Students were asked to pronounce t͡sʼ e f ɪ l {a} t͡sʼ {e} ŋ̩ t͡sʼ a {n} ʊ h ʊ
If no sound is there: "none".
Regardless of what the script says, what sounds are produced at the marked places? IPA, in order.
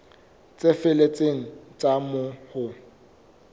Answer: e, e, m

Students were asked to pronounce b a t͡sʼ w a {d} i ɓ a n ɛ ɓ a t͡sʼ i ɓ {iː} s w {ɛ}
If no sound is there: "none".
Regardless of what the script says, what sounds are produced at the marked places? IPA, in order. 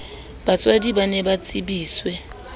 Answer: d, iː, ɛ

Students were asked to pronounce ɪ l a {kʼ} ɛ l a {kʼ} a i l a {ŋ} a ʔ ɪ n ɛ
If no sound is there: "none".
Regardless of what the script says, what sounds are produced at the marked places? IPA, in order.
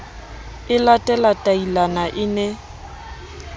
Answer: tʼ, tʼ, n

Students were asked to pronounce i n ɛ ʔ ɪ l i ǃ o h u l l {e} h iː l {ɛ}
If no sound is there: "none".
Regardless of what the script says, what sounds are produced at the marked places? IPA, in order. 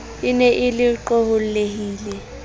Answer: e, ɛ

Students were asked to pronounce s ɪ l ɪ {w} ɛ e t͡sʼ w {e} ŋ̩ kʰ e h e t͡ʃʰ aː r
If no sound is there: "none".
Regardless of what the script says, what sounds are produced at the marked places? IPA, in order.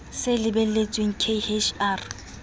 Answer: b, e

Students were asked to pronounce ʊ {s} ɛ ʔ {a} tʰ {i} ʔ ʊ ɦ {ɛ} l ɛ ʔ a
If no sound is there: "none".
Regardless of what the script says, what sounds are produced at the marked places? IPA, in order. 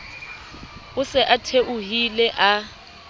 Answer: s, a, e, i

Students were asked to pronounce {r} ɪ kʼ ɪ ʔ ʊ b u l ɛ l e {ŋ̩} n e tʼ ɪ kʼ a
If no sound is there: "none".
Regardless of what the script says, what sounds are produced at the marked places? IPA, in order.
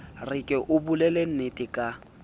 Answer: r, n̩

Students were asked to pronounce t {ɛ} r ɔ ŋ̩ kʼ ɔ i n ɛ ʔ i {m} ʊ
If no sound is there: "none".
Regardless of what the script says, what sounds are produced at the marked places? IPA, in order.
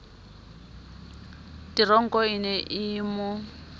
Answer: i, m

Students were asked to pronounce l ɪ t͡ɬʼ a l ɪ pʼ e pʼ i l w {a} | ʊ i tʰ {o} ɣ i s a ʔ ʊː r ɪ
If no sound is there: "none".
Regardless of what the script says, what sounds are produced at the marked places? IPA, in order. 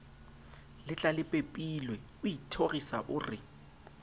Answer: ɛ, o

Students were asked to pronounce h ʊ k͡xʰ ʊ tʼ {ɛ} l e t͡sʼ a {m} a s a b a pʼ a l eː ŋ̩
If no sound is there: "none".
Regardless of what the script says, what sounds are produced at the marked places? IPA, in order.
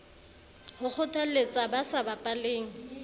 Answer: a, b

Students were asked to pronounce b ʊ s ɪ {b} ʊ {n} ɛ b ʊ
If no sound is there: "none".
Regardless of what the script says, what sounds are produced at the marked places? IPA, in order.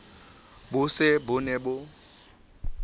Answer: b, n

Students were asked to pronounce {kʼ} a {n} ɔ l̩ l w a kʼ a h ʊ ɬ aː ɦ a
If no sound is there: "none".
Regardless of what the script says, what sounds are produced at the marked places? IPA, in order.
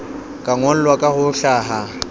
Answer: kʼ, ŋ

